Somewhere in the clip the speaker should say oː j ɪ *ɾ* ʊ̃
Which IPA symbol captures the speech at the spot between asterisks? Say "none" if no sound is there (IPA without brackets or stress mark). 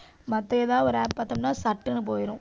ɾ